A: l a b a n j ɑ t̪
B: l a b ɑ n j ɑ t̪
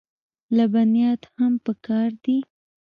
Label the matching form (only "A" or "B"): A